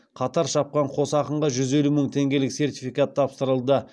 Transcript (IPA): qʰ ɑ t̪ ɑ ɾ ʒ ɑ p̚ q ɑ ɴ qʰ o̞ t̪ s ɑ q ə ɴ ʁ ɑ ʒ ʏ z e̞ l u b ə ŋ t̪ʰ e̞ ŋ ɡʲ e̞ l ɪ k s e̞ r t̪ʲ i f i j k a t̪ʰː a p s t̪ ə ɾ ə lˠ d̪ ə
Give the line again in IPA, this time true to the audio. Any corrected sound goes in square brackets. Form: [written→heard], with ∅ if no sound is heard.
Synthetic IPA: qʰ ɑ t̪ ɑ ɾ [ʒ→ʃ] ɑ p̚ q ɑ ɴ qʰ o̞ [t̪→∅] s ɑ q ə ɴ ʁ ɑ ʒ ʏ z e̞ l u [b→m] ə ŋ t̪ʰ e̞ ŋ ɡʲ e̞ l ɪ k s e̞ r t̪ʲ i f i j k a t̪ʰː [a→ɑ] p s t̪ ə ɾ ə lˠ d̪ ə